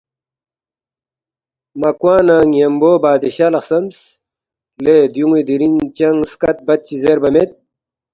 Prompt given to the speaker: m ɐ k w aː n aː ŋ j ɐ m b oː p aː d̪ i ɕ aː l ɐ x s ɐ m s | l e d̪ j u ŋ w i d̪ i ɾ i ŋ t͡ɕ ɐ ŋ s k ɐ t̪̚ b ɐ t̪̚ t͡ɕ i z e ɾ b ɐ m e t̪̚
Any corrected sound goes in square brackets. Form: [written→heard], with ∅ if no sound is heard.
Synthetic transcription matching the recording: m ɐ k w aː n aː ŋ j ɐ m b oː [p→b] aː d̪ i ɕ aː l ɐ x s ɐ m s | l e d̪ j u ŋ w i d̪ i ɾ i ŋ t͡ɕ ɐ ŋ s k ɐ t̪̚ b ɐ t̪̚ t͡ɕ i z e ɾ b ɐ m e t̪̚